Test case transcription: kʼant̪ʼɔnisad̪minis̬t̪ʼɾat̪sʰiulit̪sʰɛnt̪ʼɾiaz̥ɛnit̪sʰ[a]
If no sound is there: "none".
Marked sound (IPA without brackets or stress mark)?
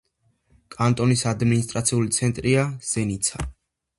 a